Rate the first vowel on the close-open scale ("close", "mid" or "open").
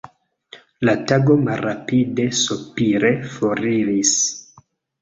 open